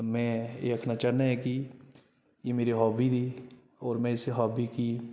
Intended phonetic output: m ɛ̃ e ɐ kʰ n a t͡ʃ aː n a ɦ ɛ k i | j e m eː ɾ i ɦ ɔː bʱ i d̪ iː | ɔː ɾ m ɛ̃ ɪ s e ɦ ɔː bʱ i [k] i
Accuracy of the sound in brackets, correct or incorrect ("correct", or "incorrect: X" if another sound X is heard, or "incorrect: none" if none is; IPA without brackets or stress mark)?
correct